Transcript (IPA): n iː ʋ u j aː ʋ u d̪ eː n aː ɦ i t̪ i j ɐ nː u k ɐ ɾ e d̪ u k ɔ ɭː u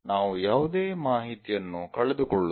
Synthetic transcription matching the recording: n aː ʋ u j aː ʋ u d̪ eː m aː ɦ i t̪ i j ɐ nː u k ɐ ɭ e d̪ u k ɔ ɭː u